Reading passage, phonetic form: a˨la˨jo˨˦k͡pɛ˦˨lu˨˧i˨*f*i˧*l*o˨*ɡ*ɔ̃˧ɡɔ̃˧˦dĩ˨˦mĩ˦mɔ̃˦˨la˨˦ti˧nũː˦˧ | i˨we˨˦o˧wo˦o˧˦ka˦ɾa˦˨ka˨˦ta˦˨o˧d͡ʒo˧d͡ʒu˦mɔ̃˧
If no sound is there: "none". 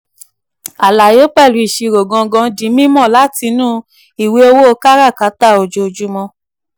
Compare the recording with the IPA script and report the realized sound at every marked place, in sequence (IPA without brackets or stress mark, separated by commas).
ʃ, ɾ, ɡ